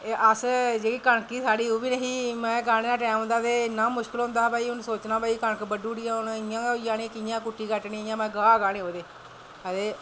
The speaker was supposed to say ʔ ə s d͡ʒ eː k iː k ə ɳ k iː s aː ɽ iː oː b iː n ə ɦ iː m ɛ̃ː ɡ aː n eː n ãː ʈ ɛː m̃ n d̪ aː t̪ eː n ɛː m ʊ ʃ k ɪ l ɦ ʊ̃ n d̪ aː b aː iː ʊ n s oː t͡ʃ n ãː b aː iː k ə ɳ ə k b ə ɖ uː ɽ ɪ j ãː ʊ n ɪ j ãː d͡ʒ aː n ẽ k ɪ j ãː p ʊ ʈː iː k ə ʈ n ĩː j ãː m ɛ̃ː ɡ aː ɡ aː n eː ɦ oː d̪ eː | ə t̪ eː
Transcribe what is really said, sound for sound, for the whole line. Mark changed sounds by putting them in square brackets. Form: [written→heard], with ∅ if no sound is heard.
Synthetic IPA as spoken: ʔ ə s d͡ʒ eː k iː k ə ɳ k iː s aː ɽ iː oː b iː n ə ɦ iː m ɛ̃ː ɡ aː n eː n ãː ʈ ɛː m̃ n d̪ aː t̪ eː n [ɛː→aː] m ʊ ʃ k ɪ l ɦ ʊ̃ n d̪ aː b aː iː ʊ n s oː t͡ʃ n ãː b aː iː k ə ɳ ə k b ə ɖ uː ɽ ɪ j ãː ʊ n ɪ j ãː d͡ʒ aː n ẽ k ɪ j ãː [p→k] ʊ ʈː iː k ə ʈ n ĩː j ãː m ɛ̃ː ɡ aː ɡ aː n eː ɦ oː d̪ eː | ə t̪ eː